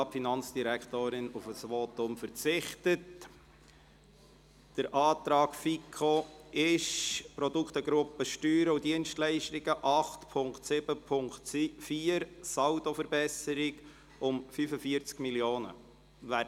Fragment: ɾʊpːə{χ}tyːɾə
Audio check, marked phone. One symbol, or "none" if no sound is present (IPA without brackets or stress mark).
ʃ